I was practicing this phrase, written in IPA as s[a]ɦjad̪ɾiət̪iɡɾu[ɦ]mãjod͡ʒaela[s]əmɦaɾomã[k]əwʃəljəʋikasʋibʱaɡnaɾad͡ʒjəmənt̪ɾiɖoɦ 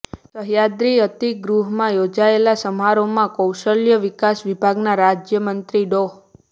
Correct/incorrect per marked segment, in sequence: incorrect: ə, correct, correct, correct

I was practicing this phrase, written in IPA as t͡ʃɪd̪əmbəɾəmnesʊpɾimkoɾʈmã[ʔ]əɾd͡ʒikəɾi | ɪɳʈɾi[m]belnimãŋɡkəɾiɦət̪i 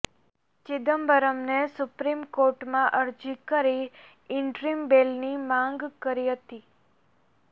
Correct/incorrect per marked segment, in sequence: correct, correct

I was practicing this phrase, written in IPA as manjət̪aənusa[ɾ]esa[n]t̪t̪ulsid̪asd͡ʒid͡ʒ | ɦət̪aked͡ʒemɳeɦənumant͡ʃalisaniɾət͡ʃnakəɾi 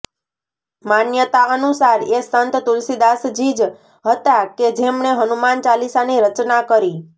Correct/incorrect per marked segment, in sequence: correct, correct

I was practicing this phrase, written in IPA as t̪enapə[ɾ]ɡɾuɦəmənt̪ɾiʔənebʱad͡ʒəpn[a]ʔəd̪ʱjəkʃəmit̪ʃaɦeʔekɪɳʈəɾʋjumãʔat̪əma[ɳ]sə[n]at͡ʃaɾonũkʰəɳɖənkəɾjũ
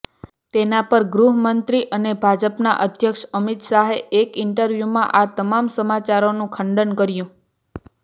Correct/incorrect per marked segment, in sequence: correct, correct, incorrect: m, incorrect: m

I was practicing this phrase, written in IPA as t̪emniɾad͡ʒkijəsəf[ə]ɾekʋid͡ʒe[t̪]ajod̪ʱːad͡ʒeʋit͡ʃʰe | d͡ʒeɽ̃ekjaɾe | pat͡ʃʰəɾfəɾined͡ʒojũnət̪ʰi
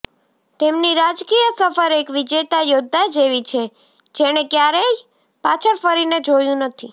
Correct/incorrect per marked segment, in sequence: correct, correct

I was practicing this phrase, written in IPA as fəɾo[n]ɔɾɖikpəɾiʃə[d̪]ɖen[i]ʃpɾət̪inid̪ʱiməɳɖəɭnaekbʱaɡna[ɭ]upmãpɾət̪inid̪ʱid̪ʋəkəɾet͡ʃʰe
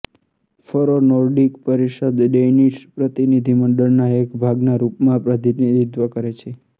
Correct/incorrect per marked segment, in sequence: correct, correct, correct, incorrect: ɾ

